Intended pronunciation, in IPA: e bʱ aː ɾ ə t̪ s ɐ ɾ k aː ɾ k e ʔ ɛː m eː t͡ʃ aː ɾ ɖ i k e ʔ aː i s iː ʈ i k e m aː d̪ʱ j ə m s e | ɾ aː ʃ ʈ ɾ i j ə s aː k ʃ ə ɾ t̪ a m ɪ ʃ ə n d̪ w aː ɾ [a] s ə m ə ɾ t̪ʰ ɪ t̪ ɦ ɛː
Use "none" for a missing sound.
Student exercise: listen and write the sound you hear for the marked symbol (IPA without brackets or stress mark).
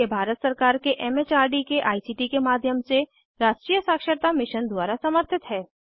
a